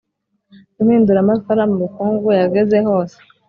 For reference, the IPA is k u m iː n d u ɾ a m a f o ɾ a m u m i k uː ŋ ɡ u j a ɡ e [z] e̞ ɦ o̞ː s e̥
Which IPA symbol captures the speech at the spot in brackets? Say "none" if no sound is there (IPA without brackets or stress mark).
z